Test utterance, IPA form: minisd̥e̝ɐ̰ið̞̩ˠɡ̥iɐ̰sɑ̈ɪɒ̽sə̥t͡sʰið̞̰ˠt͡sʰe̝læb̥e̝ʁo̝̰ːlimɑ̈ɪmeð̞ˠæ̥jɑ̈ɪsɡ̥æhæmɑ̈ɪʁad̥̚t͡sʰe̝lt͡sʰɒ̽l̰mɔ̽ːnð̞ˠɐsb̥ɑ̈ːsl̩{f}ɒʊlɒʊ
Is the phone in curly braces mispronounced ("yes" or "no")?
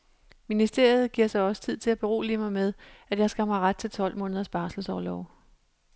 yes